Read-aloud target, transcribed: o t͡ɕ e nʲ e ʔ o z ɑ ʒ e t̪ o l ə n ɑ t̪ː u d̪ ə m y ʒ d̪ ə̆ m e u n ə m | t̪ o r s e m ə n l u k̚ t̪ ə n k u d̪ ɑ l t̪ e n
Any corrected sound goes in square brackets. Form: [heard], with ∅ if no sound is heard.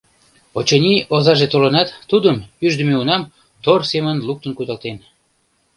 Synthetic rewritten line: o t͡ɕ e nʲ [i] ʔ o z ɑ ʒ e t̪ o l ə n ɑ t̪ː u d̪ ə m y ʒ d̪ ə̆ m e u n [ɑ] m | t̪ o r s e m ə n l u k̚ t̪ ə n k u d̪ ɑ l t̪ e n